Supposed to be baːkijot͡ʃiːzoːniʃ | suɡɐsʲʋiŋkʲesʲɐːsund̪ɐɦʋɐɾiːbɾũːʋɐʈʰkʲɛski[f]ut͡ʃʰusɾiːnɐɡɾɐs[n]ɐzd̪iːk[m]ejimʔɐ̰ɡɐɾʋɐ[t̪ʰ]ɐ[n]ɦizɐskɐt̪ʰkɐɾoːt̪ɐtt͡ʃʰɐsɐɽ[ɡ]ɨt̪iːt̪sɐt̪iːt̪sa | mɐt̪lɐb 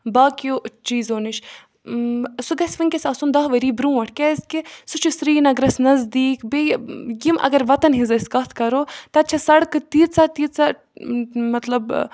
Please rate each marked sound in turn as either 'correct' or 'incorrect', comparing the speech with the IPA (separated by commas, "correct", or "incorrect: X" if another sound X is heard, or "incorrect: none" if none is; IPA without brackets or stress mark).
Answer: incorrect: s, correct, incorrect: b, incorrect: t̪, correct, incorrect: k